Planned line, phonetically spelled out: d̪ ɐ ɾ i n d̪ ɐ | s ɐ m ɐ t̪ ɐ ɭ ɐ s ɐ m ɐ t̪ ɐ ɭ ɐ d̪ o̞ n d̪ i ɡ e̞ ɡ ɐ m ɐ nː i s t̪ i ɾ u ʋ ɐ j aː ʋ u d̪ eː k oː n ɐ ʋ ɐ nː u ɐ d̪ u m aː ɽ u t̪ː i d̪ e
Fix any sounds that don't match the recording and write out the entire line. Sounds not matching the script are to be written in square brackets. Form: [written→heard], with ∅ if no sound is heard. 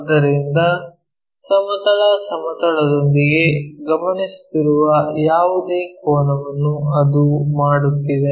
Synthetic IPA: d̪ ɐ ɾ i n d̪ ɐ | s ɐ m ɐ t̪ ɐ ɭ ɐ s ɐ m ɐ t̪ ɐ ɭ ɐ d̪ o̞ n d̪ i ɡ e̞ ɡ ɐ m ɐ [nː→n] i s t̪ i ɾ u ʋ ɐ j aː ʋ u d̪ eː k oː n ɐ ʋ ɐ nː u ɐ d̪ u m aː ɽ u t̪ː i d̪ e